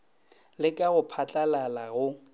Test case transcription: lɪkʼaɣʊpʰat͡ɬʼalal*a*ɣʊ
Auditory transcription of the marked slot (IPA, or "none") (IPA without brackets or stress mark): a